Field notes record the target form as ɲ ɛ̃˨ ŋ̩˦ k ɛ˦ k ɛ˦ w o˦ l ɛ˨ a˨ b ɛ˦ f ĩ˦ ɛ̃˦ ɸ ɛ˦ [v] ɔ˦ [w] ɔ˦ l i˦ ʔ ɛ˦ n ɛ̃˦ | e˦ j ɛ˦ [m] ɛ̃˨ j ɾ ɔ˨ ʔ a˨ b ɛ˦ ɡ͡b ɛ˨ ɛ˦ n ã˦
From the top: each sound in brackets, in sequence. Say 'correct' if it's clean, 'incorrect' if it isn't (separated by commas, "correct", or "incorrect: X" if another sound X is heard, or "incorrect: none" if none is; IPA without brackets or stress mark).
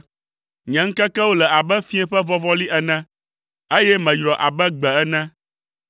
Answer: correct, incorrect: v, correct